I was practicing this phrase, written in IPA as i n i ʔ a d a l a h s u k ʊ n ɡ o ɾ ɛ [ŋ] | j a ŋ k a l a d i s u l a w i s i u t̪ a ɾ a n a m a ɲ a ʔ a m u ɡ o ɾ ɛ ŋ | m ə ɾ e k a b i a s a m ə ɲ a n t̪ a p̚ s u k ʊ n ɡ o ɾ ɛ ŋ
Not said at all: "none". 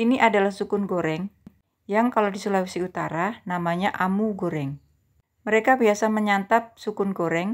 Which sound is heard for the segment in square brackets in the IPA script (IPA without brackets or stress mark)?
ŋ